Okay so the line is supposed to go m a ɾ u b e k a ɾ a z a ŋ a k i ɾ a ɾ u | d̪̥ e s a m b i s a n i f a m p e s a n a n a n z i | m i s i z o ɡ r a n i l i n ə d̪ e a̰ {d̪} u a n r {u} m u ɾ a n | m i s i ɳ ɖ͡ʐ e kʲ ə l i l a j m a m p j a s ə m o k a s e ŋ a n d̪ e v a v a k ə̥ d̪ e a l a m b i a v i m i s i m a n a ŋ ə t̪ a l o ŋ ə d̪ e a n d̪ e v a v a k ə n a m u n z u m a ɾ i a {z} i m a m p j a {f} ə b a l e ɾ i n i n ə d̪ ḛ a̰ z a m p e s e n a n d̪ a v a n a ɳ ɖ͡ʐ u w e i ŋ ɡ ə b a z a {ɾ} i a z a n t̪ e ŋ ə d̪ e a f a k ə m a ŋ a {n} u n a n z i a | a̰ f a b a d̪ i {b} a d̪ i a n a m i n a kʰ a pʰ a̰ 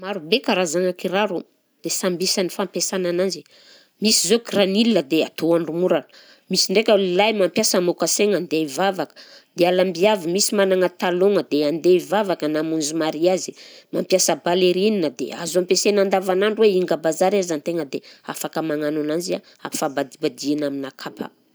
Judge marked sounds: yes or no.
no, yes, yes, no, yes, yes, yes

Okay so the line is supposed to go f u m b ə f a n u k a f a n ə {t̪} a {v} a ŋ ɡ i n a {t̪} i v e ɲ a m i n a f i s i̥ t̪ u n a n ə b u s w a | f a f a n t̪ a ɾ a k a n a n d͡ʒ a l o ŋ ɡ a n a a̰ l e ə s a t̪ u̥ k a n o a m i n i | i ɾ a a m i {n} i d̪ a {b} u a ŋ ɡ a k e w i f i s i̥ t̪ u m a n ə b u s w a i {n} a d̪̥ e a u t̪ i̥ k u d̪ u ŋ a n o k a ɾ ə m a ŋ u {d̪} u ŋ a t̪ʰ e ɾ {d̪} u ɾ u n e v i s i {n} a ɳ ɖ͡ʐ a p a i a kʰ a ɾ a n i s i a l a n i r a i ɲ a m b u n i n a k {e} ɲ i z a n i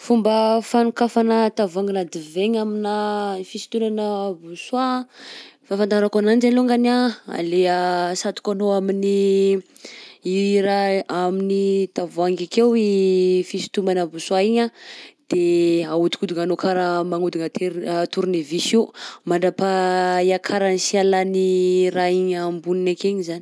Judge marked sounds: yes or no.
yes, yes, no, yes, no, no, yes, no, no, yes

